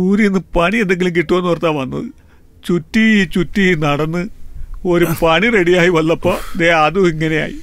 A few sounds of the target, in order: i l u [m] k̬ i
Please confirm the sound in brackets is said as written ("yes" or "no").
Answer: yes